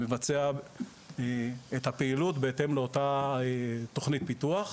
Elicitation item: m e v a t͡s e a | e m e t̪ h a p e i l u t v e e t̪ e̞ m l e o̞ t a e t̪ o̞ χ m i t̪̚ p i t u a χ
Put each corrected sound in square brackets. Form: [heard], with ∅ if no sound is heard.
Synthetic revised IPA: m e v a t͡s e a | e [∅] e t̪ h a p e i l u t [b] e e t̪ e̞ m l e o̞ t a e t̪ o̞ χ [n] i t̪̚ p i t u a χ